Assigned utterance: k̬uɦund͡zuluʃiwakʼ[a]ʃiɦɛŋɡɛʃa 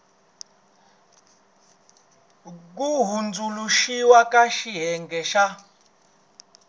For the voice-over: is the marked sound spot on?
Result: yes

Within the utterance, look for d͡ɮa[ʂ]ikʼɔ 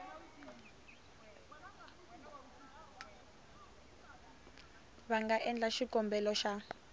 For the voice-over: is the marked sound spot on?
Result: no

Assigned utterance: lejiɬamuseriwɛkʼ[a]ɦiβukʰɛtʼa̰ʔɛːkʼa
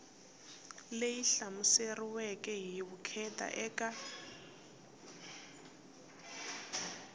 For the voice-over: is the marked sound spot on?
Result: no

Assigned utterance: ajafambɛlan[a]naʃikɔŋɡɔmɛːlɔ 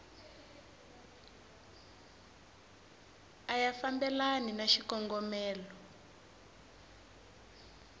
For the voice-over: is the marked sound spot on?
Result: no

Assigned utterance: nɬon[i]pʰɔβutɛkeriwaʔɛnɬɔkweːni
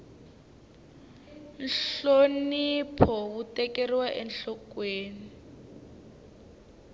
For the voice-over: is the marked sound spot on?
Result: yes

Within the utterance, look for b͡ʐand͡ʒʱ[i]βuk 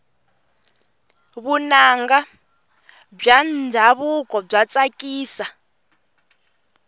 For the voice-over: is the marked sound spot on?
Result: no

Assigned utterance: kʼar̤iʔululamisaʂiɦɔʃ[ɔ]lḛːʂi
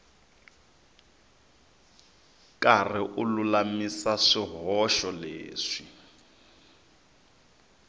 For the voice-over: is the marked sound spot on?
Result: yes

